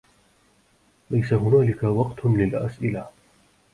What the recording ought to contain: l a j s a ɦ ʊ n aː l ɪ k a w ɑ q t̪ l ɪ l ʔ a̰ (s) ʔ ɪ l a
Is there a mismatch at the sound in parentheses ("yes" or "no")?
no